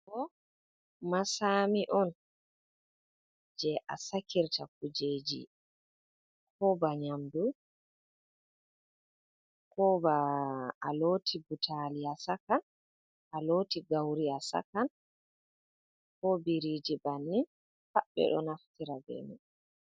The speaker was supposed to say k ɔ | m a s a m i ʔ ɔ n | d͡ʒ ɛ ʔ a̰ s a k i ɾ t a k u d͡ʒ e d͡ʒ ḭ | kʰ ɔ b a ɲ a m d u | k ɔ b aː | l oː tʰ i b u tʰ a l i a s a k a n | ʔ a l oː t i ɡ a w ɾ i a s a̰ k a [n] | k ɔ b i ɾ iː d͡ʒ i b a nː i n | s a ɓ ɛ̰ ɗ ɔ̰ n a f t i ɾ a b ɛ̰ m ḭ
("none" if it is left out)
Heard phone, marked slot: n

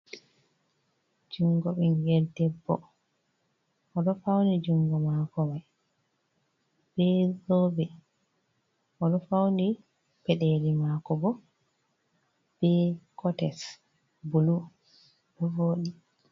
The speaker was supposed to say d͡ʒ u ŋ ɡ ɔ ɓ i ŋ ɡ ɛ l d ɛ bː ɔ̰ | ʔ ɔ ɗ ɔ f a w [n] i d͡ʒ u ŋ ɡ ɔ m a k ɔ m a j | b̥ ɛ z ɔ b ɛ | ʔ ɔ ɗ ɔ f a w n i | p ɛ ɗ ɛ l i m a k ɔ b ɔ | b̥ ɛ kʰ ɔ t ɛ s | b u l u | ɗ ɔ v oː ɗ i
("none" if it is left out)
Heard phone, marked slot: n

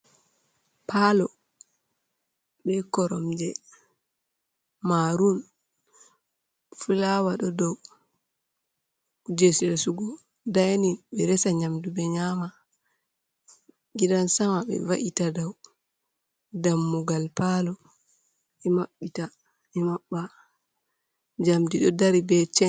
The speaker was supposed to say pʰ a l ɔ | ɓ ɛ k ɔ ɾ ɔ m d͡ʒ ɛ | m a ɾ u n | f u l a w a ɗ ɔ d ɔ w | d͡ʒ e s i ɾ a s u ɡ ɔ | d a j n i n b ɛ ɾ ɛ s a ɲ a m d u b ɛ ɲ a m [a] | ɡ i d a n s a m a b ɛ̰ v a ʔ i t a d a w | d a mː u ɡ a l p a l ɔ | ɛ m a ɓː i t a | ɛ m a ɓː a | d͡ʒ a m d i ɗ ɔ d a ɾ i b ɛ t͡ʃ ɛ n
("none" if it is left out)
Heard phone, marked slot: a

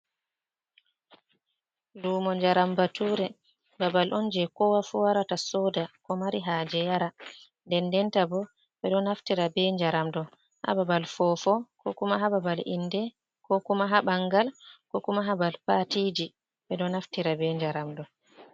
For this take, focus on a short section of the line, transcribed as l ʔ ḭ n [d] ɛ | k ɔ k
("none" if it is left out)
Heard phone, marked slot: d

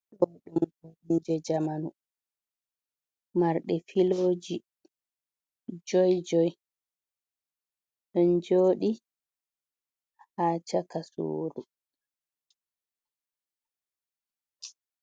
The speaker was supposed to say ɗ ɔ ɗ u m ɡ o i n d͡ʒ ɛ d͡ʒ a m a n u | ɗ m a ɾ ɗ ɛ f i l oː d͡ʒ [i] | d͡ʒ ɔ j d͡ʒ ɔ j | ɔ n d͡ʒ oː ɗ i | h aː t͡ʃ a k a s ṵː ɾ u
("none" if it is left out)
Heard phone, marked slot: i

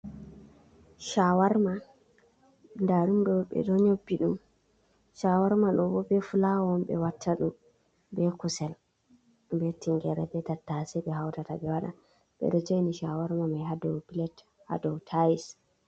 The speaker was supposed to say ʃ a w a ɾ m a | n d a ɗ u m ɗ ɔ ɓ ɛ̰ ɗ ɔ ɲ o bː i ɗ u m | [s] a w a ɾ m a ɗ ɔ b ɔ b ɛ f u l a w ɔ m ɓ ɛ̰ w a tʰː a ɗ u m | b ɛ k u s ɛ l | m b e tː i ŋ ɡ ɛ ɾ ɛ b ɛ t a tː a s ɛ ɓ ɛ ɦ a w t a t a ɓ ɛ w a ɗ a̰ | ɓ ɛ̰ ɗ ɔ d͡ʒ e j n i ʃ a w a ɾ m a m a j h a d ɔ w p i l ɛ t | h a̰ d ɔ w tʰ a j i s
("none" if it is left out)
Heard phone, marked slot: ʃ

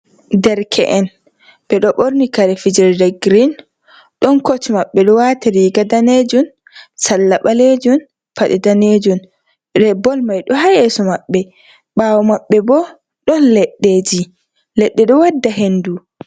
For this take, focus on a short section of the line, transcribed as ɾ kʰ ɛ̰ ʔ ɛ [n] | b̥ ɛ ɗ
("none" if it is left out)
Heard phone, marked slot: n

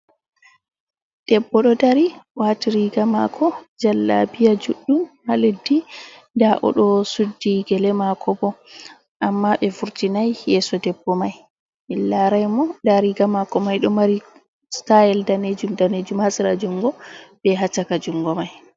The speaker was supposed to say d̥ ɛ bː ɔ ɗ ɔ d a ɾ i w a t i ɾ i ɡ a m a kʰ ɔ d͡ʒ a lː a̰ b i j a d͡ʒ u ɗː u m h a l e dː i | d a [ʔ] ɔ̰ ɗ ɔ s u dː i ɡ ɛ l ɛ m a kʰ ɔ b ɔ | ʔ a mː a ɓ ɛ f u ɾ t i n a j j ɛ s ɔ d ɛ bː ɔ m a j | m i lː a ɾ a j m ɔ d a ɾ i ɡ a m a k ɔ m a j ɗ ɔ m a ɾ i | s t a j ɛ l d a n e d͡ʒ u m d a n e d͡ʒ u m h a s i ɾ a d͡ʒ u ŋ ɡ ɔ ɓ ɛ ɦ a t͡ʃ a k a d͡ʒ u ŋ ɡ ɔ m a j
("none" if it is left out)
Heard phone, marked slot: ʔ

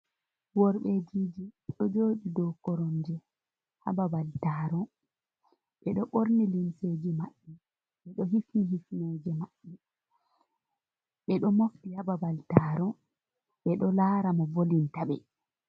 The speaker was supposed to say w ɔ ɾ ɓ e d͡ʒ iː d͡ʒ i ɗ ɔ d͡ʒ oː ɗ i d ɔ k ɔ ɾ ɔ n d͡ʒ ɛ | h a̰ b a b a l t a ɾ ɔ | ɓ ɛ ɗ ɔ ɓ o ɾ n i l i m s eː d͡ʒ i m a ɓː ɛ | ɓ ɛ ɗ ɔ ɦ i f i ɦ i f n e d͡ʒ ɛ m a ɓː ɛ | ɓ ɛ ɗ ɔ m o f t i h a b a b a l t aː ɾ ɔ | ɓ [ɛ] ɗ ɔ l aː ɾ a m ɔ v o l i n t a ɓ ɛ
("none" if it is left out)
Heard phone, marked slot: ɛ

